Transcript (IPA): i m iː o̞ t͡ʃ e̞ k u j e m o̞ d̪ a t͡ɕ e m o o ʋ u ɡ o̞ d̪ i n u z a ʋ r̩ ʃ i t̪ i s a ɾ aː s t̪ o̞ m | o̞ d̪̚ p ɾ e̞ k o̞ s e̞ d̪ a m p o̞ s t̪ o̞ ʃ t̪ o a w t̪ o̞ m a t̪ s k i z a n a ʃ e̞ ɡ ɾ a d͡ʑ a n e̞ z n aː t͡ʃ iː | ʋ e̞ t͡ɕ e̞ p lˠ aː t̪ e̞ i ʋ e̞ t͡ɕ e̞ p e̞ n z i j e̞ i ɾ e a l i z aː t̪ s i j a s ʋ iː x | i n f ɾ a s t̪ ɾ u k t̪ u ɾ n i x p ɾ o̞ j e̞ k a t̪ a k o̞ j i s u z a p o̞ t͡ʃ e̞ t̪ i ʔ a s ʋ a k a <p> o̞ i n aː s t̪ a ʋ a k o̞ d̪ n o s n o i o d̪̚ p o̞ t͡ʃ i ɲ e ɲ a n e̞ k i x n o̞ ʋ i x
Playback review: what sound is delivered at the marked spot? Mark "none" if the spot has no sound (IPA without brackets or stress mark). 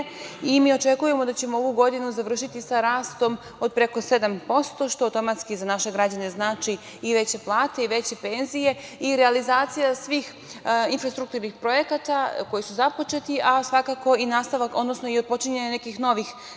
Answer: k